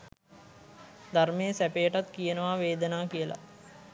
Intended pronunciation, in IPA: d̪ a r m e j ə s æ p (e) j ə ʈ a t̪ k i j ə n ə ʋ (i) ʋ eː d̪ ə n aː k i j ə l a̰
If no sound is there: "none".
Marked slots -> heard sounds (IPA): e, a

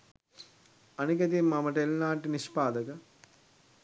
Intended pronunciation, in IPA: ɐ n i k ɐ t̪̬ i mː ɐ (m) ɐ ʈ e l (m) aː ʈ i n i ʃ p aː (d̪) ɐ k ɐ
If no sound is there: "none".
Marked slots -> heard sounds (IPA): m, n, d̪

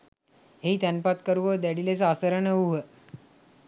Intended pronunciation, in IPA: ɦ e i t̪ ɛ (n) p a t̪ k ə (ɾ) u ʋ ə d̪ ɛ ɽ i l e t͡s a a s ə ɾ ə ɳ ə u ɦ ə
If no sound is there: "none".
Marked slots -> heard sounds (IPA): n, ɾ

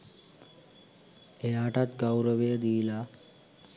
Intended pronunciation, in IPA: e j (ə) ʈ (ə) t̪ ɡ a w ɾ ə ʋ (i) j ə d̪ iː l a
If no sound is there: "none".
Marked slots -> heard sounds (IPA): a, a, e

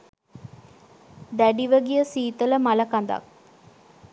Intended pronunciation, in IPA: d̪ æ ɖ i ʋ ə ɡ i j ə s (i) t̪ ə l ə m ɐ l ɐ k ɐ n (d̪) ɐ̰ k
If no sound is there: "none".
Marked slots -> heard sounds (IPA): iː, d̪

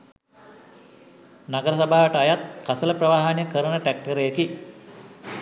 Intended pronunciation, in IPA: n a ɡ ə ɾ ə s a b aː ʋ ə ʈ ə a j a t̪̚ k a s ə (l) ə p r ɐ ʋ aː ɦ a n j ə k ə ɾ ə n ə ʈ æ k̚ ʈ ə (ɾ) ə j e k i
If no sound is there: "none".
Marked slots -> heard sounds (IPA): l, ɾ

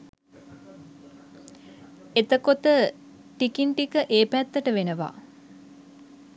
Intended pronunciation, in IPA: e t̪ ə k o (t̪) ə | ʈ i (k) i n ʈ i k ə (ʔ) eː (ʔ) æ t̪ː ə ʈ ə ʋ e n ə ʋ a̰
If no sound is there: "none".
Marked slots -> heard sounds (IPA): t̪, k, ʔ, p

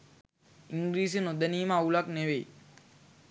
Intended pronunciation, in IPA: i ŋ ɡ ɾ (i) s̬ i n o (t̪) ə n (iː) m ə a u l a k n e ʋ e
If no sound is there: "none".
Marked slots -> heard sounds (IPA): iː, d̪, iː

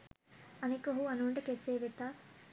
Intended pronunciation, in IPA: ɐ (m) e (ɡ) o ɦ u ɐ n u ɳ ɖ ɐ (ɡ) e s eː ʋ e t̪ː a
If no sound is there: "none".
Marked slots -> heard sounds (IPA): n, k, k

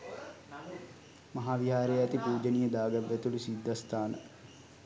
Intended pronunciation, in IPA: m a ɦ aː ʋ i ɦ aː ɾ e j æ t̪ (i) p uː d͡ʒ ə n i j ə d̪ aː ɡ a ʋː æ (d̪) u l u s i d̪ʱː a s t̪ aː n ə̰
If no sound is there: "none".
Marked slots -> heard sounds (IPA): i, t̪

